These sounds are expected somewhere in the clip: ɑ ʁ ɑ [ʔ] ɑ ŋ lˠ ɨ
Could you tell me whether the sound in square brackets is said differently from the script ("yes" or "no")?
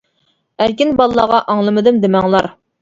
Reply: no